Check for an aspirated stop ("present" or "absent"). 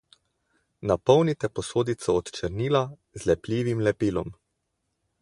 absent